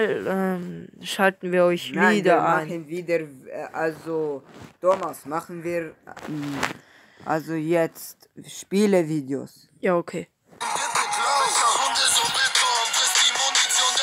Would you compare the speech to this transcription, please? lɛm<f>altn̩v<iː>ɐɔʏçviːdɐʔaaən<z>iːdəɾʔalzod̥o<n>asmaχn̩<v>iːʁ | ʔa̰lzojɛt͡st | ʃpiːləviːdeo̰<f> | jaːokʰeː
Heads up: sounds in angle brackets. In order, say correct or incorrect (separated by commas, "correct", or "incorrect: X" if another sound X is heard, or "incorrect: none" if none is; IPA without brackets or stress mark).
incorrect: ʃ, correct, incorrect: v, incorrect: m, correct, incorrect: s